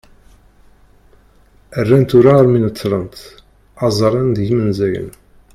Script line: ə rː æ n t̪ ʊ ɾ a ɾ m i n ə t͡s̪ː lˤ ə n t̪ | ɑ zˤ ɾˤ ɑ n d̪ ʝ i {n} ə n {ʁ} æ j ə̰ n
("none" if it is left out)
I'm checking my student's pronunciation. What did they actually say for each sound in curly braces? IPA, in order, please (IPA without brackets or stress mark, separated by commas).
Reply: m, z